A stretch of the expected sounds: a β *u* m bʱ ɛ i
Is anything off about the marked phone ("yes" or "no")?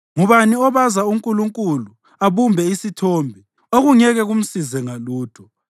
no